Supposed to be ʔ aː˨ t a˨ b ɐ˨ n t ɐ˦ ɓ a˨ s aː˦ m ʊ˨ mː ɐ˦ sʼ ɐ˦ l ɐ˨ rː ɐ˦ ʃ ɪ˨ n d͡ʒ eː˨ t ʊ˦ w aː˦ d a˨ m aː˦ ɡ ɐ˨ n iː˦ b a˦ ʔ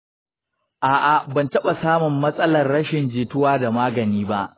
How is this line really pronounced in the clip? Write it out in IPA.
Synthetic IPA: ʔ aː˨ ʔ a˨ b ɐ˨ n t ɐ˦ ɓ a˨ s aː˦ m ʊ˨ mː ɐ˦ sʼ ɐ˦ l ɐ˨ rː ɐ˦ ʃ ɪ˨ n d͡ʒ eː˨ t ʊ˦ w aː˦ d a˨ m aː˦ ɡ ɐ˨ n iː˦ b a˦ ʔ